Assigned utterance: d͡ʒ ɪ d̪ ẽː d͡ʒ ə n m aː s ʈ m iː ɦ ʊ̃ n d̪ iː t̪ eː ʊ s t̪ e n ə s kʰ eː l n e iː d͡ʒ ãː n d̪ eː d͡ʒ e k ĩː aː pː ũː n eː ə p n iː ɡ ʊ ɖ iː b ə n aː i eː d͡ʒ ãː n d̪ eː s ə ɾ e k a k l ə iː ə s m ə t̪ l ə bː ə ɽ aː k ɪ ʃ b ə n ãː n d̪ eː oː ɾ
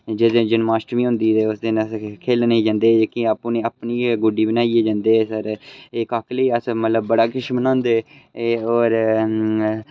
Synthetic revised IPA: d͡ʒ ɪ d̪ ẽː d͡ʒ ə n m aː s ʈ m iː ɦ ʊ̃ n d̪ iː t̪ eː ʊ s d̪ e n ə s kʰ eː l n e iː d͡ʒ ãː n d̪ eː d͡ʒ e k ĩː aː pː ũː n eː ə p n iː ɡ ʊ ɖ iː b ə n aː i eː d͡ʒ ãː n d̪ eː s ə ɾ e k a k l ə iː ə s m ə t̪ l ə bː ə ɽ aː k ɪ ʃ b ə n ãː n d̪ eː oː ɾ